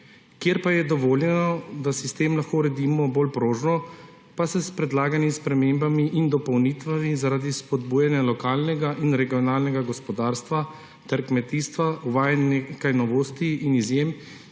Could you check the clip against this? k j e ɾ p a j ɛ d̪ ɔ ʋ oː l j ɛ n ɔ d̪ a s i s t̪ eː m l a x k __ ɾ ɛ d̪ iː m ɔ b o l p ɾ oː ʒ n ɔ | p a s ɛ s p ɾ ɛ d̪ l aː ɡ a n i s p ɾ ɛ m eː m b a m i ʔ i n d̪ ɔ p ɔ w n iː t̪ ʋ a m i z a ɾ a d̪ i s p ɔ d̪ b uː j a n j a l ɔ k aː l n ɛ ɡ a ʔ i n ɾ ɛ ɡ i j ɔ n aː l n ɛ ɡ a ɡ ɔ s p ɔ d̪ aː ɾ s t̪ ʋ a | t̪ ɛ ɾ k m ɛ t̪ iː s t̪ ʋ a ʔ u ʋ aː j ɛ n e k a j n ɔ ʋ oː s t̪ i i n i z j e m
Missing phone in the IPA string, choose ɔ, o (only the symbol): o